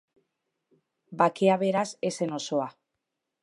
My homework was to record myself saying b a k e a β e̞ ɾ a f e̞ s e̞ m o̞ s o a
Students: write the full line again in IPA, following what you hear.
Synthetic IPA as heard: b a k e a β e̞ ɾ a s e̞ s e̞ n o̞ s o a